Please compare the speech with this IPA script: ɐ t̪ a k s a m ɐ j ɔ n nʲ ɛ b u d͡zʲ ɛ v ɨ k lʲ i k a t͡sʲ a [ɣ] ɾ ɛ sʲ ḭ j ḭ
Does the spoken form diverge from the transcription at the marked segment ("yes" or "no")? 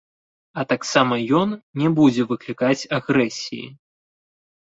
no